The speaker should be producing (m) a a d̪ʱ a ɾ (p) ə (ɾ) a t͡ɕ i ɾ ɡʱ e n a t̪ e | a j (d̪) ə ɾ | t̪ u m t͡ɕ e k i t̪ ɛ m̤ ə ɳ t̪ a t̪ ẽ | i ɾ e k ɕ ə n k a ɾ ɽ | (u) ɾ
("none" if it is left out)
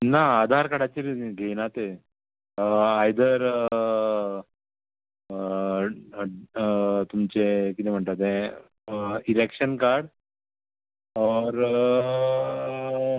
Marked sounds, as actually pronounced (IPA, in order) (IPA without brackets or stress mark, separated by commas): n, k, ɽ, d̪, ɔ